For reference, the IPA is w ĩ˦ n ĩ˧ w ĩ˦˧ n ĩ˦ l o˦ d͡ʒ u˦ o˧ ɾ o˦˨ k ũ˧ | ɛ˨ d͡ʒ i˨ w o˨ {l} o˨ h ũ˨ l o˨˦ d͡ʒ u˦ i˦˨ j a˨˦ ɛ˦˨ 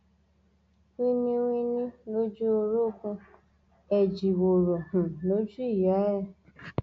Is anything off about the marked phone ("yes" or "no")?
yes